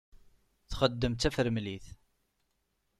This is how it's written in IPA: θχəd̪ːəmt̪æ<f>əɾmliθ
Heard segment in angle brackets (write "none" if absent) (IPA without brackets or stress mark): f